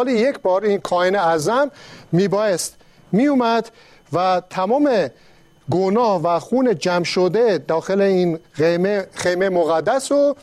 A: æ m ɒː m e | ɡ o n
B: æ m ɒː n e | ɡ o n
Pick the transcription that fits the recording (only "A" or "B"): A